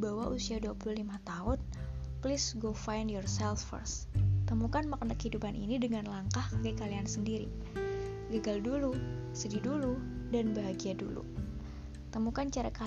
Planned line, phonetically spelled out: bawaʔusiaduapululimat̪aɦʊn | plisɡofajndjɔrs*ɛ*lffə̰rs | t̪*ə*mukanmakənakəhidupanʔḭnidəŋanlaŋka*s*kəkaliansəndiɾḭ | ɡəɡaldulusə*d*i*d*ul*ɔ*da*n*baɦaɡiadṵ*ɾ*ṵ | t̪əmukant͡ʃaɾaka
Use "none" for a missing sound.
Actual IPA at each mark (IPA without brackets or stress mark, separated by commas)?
ɛ, ə, h, d, d, u, n, l